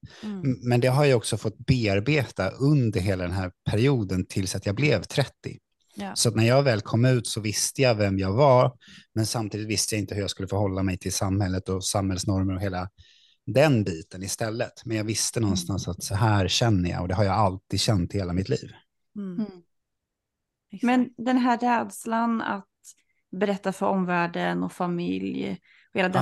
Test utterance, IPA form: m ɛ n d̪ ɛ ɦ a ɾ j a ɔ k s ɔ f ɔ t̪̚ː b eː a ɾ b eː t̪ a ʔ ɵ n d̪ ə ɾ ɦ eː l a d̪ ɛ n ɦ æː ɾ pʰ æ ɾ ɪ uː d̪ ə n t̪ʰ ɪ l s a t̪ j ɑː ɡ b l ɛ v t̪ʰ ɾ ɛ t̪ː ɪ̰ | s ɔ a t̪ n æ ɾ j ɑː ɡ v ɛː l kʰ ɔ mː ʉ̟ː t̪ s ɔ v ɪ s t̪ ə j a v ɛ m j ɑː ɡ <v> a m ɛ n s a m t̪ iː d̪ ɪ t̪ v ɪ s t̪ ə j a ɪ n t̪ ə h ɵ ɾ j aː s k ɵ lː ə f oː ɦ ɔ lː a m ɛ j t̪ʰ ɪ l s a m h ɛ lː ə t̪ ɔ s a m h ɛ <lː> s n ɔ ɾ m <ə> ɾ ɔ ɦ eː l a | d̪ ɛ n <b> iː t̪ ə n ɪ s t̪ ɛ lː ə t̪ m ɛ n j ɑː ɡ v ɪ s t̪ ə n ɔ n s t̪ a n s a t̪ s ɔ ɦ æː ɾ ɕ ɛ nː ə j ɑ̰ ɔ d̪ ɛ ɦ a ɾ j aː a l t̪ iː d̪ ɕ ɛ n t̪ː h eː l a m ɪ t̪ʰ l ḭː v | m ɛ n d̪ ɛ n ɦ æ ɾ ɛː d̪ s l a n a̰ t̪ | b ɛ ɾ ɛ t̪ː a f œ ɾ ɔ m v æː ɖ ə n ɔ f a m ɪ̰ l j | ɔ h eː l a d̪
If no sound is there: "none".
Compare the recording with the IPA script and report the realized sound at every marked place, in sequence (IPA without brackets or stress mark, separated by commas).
v, l, ə, b